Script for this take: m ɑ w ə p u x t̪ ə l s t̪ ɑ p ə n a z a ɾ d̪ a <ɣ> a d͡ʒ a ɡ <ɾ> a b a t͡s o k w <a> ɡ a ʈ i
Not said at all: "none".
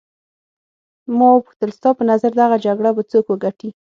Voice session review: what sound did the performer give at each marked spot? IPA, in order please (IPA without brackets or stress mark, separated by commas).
ɣ, ɽ, ə